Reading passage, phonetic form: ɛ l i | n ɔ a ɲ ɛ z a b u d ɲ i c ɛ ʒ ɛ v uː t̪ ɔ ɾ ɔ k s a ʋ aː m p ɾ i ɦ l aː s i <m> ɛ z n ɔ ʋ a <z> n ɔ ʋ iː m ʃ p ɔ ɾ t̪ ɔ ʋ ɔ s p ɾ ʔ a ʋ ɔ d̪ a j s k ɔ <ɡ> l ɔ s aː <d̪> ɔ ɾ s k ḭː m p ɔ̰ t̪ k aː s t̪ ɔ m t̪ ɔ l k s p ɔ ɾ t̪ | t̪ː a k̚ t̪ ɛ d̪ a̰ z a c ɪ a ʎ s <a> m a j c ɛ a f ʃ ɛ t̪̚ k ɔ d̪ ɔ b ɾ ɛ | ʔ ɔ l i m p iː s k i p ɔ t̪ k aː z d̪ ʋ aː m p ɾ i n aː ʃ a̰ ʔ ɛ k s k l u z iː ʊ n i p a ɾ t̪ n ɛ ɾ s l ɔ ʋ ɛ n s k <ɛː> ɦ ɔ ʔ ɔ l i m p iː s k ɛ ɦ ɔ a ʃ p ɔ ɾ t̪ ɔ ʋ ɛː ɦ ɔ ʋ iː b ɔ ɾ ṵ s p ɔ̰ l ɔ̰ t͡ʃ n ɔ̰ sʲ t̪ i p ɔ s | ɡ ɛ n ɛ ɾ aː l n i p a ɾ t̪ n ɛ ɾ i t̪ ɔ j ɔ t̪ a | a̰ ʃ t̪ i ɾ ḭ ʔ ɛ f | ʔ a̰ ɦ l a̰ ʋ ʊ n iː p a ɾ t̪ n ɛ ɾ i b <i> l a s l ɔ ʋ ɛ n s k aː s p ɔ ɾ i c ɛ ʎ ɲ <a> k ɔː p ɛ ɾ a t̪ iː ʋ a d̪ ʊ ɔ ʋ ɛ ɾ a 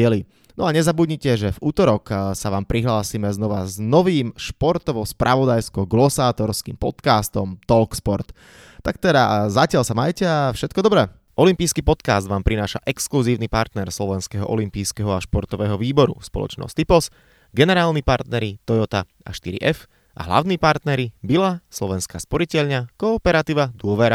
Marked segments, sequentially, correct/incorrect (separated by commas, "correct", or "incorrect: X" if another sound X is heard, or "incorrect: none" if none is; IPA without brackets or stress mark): correct, correct, correct, incorrect: t̪, correct, incorrect: ɛ, correct, correct